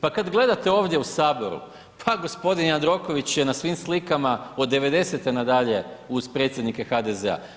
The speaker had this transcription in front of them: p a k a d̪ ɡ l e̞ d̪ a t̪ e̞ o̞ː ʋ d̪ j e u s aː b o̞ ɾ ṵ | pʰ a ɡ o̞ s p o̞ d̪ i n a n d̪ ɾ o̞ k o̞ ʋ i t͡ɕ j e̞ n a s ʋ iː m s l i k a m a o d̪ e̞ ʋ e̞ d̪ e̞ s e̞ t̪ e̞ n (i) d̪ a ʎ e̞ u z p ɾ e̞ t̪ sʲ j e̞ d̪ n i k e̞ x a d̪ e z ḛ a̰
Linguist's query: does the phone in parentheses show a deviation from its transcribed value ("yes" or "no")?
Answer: yes